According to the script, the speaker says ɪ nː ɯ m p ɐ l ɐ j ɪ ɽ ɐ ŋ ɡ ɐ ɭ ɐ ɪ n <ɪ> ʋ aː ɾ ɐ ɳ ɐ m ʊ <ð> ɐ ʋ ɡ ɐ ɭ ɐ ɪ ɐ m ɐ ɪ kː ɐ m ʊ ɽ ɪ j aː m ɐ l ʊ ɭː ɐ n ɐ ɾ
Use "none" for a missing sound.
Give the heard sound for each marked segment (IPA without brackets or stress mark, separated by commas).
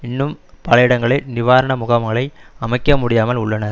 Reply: ɪ, ɣ